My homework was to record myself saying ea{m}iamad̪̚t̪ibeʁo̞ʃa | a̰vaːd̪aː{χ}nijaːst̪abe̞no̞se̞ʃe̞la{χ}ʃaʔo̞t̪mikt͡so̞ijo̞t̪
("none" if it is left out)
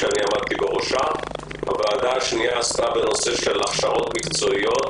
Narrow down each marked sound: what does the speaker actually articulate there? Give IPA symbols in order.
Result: n, ʃ, χ

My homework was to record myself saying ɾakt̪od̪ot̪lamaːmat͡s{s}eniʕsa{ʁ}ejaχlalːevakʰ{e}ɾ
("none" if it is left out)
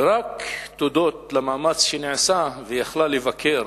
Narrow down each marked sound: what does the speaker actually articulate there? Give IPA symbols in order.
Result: ʃ, v, e

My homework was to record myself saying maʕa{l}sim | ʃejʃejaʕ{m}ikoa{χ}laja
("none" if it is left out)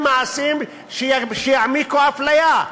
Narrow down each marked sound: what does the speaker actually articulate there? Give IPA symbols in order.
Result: none, m, f

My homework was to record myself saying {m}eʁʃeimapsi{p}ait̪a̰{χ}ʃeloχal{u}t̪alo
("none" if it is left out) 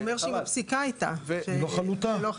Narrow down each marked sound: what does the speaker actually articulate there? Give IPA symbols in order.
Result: m, k, none, u

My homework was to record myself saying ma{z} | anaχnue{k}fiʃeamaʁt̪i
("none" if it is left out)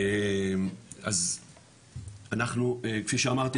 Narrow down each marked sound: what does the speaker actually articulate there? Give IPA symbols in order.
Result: z, k

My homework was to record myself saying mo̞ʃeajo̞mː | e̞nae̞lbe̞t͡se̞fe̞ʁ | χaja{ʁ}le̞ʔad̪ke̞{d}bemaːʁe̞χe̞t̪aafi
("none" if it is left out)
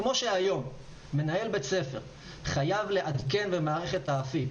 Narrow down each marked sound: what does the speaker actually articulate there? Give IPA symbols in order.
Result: v, n

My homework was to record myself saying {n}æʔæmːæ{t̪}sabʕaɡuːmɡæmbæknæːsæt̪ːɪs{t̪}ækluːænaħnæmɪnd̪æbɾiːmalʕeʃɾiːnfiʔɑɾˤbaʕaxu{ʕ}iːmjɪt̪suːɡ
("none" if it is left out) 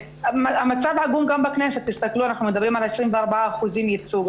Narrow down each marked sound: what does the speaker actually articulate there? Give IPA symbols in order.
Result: m, t̪, t̪, z

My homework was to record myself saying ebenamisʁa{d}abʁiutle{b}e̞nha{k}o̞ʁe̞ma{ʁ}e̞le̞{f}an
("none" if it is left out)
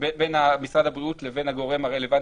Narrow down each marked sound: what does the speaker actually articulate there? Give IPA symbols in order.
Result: d, v, ɡ, ʁ, v

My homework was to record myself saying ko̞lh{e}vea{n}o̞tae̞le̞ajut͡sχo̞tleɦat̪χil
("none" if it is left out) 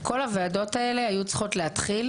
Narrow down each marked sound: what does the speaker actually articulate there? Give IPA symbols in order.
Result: a, d

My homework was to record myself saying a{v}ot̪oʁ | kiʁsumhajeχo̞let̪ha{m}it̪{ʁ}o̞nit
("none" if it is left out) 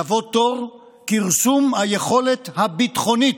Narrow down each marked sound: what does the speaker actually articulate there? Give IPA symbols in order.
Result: v, b, χ

